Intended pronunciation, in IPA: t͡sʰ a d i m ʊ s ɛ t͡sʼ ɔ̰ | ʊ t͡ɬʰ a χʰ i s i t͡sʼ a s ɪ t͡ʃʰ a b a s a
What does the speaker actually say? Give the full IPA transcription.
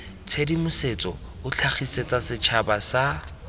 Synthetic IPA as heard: t͡sʰ e d i m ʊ s e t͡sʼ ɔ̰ | ʊ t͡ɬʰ a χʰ i s e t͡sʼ a s ɪ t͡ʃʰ a b a s a